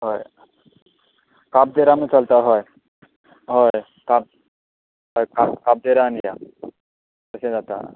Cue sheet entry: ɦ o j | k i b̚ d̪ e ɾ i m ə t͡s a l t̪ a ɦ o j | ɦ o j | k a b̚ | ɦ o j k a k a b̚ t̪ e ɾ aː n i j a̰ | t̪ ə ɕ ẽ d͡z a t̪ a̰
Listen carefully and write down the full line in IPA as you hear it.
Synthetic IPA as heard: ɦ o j | k a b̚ d̪ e ɾ a m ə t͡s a l t̪ a ɦ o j | ɦ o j | k a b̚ | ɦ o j k a k a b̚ d̪ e ɾ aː n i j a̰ | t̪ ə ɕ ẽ d͡z a t̪ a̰